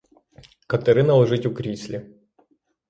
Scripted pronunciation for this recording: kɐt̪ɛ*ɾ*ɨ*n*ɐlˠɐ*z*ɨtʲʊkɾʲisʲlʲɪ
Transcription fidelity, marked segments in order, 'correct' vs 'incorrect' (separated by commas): correct, correct, incorrect